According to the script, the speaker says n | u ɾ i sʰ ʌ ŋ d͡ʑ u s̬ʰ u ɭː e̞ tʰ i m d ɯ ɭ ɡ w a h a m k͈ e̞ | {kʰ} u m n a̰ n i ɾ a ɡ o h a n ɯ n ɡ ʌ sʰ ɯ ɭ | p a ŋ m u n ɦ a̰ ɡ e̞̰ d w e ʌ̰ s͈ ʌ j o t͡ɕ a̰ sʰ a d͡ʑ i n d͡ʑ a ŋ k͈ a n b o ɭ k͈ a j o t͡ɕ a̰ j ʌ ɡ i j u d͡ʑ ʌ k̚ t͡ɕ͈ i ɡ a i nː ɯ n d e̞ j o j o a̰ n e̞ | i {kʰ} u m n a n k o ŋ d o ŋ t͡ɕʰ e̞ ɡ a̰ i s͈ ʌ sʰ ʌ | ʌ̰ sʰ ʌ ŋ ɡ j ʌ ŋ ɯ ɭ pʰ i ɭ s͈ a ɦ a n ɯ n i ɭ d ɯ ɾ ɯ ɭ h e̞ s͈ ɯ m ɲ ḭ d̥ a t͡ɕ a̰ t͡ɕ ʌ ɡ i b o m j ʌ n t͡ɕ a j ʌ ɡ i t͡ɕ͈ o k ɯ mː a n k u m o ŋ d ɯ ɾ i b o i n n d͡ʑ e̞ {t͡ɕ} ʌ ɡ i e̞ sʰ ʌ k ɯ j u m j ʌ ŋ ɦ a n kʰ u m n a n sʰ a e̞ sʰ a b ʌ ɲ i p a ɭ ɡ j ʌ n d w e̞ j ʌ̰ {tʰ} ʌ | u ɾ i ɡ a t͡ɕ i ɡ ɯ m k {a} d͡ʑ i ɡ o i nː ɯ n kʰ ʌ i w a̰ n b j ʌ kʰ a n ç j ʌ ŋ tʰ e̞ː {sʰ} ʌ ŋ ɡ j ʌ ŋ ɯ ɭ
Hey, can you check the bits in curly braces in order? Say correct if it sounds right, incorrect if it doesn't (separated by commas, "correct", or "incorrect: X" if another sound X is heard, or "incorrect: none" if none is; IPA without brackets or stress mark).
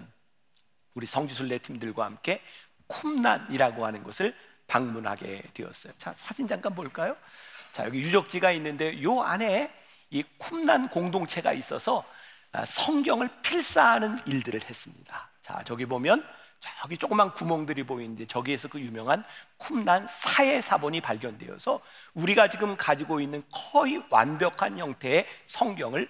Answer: correct, correct, correct, incorrect: sʰ, correct, correct